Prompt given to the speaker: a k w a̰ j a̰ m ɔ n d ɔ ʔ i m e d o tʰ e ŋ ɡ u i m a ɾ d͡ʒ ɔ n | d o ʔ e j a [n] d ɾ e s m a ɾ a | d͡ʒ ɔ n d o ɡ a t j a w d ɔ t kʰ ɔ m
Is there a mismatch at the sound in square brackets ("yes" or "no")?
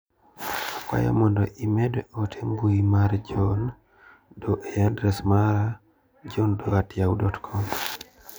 no